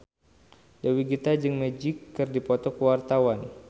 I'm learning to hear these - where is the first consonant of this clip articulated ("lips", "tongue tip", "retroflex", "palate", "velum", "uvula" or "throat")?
tongue tip